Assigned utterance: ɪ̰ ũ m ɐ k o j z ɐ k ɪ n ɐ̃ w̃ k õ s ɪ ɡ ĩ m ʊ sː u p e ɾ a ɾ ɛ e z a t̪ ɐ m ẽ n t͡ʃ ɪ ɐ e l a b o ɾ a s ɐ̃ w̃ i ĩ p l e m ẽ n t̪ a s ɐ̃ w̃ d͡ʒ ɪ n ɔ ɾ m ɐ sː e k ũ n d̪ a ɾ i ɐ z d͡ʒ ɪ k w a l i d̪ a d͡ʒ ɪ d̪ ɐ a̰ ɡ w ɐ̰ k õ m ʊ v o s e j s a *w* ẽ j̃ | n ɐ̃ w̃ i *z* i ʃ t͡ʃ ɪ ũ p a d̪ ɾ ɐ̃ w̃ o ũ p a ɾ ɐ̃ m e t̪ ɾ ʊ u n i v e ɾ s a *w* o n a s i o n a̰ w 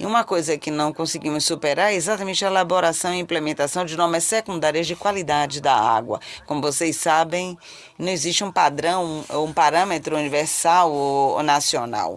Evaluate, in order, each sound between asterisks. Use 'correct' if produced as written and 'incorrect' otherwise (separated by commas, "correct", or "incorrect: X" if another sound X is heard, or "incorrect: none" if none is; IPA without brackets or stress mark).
incorrect: b, correct, correct